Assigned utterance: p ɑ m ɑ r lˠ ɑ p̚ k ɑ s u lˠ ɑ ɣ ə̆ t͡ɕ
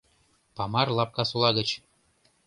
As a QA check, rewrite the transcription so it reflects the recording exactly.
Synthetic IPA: p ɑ m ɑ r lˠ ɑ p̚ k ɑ s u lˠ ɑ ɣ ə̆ t͡ɕ